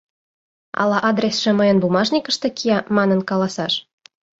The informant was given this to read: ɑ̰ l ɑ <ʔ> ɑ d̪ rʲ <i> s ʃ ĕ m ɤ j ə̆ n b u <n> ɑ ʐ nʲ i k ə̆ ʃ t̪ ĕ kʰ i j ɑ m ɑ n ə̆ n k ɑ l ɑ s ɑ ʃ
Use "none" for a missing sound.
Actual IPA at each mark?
ʔ, e, m

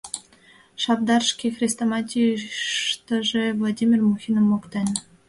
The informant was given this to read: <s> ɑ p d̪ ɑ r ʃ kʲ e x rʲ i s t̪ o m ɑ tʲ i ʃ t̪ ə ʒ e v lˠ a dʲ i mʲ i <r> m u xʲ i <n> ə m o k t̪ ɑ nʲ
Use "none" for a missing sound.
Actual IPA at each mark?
ʃ, r, n

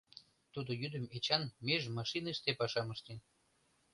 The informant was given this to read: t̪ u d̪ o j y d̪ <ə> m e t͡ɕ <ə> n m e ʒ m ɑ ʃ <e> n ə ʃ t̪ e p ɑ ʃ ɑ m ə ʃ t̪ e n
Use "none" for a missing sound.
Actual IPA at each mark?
ə, ɑ, i

